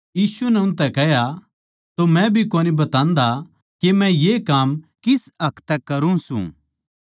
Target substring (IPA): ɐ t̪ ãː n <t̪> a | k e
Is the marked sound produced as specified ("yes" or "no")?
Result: no